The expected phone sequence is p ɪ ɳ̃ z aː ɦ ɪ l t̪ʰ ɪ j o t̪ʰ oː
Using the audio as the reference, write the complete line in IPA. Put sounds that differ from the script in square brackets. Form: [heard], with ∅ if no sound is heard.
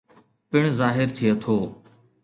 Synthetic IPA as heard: p ɪ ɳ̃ z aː ɦ ɪ [ɾ] t̪ʰ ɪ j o t̪ʰ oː